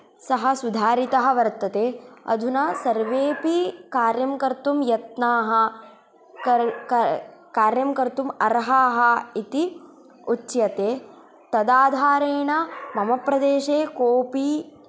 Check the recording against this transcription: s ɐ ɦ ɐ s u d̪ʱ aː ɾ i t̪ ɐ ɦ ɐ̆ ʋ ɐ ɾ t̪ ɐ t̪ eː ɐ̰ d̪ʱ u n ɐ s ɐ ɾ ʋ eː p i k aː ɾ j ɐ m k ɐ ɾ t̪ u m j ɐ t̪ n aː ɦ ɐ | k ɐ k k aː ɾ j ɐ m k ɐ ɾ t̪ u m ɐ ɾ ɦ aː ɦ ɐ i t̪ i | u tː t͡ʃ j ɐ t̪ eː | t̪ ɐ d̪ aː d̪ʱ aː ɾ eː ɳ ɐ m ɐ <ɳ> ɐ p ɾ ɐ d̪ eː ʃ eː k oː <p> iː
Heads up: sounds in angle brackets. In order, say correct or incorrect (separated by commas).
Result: incorrect, correct